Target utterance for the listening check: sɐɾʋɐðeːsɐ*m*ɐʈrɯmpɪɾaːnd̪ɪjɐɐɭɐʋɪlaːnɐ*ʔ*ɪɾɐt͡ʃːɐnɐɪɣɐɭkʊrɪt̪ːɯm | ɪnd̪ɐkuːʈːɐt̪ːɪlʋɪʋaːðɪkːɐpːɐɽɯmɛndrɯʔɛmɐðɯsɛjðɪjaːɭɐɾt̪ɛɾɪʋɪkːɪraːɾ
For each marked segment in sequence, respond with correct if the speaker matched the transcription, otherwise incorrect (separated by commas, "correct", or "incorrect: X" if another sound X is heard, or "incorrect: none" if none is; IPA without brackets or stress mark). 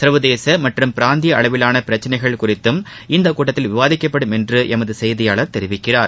correct, incorrect: p